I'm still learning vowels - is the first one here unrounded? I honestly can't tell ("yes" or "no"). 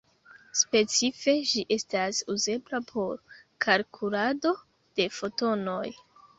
yes